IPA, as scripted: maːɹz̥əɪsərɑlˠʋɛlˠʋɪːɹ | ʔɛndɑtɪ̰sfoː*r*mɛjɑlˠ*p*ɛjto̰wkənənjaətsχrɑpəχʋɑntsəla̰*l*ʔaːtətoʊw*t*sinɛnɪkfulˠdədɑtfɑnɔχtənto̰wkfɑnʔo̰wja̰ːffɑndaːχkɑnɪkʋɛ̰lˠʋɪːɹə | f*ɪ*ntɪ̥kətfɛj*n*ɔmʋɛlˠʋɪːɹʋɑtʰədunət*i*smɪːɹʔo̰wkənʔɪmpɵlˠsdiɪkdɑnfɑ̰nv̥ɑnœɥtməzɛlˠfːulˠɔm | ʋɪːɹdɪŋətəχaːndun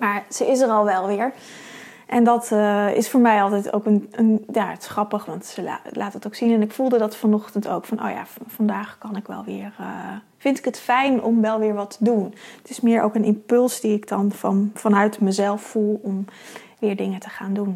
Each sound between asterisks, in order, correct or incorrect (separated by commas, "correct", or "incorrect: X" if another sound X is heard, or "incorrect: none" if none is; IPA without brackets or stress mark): incorrect: ɹ, incorrect: t, correct, incorrect: k, correct, correct, incorrect: ɪ